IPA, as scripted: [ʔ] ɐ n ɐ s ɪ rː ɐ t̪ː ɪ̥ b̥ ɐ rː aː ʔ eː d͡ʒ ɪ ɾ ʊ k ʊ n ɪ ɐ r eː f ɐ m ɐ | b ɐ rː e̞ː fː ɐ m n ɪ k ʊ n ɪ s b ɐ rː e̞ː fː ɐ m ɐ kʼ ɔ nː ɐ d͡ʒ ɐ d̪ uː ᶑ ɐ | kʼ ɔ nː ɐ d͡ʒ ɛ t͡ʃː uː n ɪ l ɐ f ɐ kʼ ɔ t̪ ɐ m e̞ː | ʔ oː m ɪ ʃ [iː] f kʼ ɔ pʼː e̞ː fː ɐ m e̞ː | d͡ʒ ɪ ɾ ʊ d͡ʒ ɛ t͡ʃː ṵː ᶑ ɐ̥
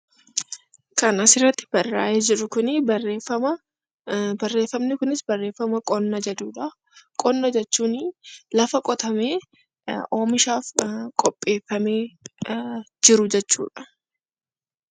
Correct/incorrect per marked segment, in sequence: incorrect: k, incorrect: aː

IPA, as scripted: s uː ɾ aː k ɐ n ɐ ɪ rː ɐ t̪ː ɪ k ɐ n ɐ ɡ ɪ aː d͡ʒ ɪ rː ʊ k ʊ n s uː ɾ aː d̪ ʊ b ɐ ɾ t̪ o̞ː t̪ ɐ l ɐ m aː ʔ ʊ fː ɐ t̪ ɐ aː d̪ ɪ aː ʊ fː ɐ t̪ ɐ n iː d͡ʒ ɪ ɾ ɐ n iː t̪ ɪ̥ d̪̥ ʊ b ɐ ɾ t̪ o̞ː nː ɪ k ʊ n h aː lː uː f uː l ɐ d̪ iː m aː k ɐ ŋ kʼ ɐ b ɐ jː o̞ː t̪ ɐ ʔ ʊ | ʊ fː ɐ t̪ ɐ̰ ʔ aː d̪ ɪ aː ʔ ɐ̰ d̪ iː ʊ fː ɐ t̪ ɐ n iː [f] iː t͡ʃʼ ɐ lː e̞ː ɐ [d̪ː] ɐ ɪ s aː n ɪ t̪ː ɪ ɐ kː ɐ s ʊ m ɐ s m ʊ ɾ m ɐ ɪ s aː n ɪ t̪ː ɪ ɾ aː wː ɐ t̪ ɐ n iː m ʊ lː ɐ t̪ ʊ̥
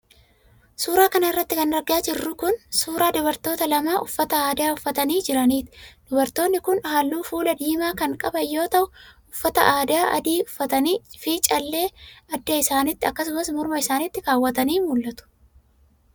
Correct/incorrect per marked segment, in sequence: correct, correct

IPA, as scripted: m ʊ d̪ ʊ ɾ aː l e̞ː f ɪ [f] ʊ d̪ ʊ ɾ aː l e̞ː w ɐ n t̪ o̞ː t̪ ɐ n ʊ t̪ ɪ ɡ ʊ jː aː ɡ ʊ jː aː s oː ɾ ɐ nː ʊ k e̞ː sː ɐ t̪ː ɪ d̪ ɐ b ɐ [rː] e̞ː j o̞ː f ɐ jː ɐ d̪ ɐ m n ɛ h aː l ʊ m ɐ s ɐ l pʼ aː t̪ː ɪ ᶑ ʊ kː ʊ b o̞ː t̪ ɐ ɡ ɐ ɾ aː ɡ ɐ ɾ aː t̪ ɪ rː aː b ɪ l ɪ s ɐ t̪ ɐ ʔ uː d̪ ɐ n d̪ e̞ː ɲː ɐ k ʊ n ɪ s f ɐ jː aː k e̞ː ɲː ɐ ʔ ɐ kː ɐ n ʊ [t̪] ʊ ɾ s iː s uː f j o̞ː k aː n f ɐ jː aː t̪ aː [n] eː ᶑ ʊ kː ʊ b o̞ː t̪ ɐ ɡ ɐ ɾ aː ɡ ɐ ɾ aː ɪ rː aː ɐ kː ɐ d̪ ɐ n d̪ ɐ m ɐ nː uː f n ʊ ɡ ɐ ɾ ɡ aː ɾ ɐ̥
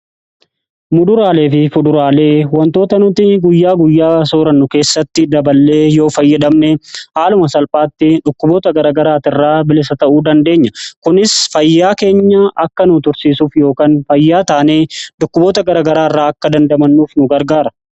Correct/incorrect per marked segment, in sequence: correct, incorrect: lː, correct, correct

